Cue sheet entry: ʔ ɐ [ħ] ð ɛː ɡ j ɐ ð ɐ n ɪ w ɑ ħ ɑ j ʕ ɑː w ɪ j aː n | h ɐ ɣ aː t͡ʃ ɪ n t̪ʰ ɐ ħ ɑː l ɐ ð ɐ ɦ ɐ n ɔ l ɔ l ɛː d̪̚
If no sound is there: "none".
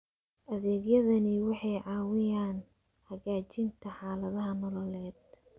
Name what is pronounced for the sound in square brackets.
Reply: none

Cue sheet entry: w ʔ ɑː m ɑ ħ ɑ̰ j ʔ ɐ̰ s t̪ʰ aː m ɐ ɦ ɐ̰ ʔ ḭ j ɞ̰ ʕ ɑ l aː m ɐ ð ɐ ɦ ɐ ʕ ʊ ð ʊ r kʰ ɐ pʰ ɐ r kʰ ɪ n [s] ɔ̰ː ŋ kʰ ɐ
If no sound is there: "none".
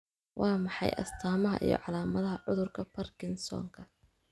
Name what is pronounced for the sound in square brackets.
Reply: s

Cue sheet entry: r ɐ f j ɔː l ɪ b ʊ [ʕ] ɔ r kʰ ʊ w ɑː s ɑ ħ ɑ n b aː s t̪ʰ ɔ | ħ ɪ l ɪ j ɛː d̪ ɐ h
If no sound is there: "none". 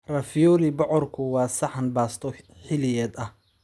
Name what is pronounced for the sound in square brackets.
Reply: ʕ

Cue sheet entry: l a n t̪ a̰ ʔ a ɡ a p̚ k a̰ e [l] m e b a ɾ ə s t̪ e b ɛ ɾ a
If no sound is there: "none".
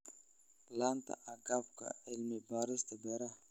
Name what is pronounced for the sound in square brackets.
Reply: l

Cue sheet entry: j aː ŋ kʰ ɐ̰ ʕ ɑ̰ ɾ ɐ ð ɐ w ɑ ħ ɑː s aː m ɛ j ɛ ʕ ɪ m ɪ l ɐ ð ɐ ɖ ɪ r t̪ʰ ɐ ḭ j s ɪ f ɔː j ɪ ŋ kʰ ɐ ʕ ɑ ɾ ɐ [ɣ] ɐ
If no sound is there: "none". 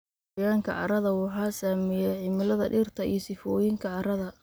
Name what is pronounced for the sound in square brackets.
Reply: ð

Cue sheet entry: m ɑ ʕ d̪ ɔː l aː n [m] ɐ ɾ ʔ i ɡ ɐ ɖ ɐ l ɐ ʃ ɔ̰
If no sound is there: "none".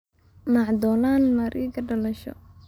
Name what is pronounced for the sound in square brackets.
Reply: m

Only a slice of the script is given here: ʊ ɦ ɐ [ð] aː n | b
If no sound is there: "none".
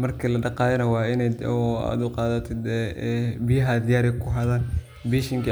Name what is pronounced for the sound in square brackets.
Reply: ð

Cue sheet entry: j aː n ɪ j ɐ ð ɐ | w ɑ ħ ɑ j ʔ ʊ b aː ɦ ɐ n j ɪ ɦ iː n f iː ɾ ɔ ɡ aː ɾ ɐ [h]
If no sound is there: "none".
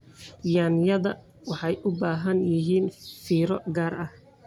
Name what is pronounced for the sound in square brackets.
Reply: h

